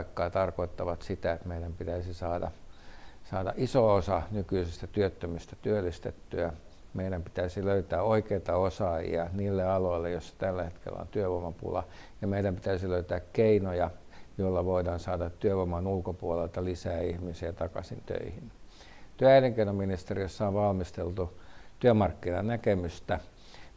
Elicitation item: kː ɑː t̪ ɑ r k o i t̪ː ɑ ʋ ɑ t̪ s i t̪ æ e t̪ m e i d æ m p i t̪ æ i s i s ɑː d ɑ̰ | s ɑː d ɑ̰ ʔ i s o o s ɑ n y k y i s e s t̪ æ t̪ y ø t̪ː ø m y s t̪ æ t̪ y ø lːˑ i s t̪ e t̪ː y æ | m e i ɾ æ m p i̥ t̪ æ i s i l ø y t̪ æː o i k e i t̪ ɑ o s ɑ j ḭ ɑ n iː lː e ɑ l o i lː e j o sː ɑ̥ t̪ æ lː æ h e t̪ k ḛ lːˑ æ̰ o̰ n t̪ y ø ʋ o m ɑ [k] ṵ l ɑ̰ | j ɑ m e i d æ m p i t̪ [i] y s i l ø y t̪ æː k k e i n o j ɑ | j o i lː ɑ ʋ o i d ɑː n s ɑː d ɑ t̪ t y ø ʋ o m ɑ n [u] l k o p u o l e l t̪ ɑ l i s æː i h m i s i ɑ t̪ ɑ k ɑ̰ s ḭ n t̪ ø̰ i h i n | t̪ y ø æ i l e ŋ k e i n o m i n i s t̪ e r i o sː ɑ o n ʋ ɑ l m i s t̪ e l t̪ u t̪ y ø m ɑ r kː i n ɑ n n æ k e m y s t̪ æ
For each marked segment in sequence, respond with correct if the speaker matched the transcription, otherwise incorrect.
incorrect: p, incorrect: æ, correct

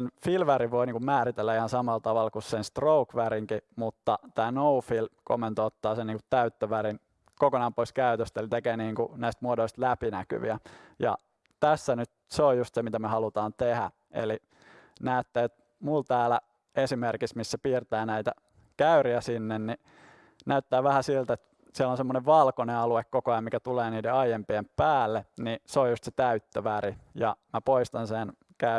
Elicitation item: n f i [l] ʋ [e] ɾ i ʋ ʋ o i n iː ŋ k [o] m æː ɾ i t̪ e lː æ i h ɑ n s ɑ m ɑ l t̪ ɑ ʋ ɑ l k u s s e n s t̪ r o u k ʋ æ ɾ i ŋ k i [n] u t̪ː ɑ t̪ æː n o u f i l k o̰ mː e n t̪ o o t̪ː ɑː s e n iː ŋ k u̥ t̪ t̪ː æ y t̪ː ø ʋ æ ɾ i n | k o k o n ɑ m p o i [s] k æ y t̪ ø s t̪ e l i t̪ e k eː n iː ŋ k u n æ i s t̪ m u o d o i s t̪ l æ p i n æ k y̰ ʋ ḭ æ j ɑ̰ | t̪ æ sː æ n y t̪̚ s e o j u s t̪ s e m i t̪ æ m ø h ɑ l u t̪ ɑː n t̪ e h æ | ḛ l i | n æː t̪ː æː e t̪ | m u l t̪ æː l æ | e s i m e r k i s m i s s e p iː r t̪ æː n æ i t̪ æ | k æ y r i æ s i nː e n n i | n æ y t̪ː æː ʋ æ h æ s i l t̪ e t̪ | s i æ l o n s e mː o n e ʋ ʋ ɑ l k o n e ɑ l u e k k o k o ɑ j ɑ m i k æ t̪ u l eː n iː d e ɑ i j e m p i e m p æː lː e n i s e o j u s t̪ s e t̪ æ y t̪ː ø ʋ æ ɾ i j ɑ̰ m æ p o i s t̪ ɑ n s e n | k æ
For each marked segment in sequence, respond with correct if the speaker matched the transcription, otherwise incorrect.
correct, incorrect: æ, incorrect: u, incorrect: m, correct

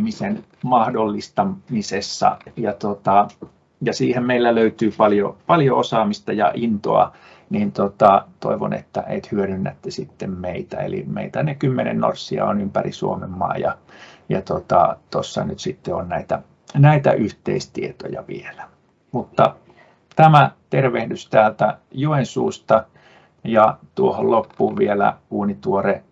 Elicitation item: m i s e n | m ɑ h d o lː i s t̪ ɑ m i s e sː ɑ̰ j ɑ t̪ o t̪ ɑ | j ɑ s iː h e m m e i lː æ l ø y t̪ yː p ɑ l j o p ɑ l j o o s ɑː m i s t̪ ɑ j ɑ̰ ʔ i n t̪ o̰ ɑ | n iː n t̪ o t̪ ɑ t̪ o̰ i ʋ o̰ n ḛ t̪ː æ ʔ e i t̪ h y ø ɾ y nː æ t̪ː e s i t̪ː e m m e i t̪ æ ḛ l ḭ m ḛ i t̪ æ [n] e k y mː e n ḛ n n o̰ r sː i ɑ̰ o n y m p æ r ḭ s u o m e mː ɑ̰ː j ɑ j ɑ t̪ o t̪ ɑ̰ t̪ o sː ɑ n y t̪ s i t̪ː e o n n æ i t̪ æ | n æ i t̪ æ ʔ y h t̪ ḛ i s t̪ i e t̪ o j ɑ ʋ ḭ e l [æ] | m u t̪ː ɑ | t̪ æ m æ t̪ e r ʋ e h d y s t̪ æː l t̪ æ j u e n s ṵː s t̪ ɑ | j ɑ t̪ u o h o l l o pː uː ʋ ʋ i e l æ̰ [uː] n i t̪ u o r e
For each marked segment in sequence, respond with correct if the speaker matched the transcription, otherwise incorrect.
correct, correct, correct

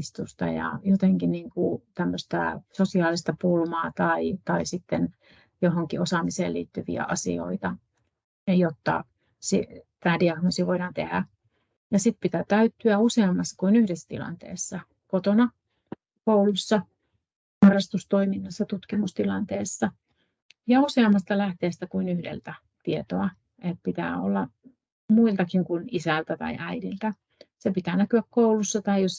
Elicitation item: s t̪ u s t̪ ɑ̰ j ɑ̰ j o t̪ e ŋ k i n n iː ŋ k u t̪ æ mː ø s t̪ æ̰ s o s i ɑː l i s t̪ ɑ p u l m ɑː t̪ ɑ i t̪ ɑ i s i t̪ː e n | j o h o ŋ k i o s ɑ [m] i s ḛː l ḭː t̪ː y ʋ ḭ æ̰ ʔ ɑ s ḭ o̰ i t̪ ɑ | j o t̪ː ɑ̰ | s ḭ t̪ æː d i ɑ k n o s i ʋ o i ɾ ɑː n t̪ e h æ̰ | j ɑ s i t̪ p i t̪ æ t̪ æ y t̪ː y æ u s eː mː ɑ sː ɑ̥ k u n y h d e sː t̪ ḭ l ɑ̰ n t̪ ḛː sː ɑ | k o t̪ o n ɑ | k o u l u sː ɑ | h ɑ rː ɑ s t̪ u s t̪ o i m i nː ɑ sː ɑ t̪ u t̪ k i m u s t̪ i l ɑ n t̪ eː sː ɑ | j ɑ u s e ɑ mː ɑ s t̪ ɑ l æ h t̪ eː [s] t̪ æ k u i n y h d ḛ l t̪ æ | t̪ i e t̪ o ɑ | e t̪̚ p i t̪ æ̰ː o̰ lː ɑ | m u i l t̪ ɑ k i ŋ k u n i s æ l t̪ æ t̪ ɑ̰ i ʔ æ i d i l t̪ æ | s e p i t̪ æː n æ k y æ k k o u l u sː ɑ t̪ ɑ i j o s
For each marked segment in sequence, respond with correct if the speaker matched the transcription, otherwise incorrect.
correct, correct

